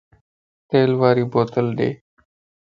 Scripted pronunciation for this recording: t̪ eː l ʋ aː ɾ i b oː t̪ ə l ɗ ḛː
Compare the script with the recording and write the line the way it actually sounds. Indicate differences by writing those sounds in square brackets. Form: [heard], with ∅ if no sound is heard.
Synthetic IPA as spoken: t̪ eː l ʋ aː ɾ [iː] b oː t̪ ə l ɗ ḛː